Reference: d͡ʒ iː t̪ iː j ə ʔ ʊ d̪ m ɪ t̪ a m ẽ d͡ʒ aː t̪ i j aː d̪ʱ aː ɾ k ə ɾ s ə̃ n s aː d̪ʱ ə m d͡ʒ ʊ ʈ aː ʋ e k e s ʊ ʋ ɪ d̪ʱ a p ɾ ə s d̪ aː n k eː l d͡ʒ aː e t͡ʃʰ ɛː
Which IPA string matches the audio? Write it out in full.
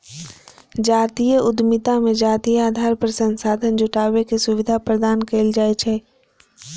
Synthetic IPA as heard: d͡ʒ aː t̪ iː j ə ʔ ʊ d̪ m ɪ t̪ a m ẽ d͡ʒ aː t̪ i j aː d̪ʱ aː ɾ p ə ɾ s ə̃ n s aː d̪ʱ ə n d͡ʒ ʊ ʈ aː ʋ e k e s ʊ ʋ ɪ d̪ʱ a p ɾ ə d̪ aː n k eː l d͡ʒ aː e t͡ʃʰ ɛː